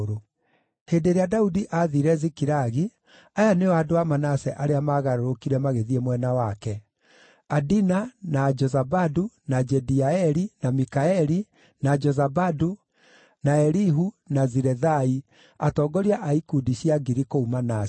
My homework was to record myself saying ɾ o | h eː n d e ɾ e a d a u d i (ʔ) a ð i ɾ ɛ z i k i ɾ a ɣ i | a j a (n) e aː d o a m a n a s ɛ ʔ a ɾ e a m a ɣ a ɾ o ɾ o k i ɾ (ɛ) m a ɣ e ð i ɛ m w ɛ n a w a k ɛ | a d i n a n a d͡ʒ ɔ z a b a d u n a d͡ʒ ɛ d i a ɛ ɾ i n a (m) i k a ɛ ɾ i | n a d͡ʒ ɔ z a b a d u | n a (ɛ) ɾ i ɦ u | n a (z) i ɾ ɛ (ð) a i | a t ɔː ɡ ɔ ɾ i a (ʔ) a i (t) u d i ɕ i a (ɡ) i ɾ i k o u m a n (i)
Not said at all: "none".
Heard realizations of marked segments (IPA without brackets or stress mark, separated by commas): ʔ, n, ɛ, m, ɛ, z, ð, ʔ, k, ɡ, a